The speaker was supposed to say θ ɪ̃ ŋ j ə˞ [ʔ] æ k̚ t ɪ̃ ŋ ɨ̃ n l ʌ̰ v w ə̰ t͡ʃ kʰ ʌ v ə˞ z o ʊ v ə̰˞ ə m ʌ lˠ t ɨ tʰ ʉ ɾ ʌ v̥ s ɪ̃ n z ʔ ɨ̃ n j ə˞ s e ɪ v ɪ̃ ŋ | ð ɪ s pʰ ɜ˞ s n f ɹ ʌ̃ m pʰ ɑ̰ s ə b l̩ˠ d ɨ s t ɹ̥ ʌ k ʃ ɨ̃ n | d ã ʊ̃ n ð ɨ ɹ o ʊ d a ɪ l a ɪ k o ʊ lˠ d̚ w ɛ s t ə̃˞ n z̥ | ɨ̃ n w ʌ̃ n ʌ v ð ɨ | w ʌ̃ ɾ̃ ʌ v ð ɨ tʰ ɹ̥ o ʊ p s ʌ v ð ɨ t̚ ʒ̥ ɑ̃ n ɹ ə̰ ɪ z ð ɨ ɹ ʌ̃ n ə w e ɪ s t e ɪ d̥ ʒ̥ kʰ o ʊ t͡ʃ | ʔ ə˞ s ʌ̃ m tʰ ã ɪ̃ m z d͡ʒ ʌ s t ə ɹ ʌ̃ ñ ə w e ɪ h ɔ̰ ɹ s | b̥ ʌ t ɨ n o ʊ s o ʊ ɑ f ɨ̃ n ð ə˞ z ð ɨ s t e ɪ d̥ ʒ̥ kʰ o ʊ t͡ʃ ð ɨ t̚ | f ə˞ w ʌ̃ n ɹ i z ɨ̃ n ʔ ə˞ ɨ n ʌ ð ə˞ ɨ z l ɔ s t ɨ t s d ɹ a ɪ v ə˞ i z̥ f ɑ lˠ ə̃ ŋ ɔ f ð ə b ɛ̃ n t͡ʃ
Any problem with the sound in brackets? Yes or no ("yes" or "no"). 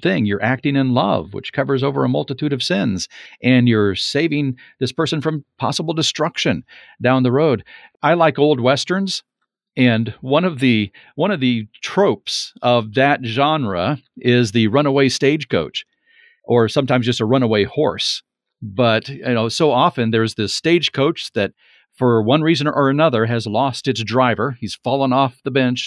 no